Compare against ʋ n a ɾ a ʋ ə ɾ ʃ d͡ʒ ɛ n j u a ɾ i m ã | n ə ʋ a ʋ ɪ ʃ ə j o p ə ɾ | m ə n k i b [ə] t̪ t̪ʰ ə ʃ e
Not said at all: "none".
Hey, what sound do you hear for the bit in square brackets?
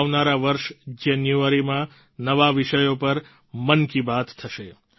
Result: a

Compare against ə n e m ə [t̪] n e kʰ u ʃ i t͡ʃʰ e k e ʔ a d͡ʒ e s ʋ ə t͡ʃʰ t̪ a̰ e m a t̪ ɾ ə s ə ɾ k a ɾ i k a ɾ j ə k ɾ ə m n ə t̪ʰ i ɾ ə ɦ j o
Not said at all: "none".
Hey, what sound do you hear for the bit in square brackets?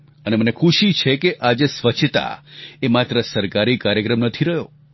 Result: none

